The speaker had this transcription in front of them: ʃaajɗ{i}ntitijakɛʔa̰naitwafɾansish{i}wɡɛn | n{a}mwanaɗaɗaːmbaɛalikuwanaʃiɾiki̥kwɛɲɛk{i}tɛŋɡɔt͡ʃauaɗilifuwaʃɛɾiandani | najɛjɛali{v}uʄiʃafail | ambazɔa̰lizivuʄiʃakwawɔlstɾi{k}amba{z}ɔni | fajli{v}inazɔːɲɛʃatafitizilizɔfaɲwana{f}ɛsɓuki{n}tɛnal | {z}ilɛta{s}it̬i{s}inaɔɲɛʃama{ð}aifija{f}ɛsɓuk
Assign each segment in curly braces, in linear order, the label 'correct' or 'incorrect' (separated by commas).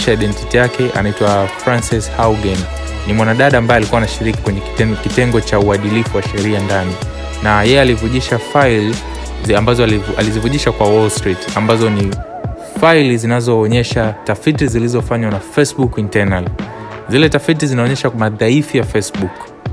incorrect, incorrect, incorrect, correct, correct, incorrect, correct, incorrect, correct, correct, correct, incorrect, incorrect, correct, correct